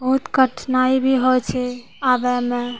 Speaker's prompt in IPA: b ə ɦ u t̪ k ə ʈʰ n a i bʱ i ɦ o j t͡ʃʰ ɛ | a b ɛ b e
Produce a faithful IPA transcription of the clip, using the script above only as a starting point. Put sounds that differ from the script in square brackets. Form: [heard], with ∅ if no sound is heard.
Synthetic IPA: b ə ɦ u t̪ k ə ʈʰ n a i bʱ i ɦ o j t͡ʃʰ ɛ | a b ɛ [m] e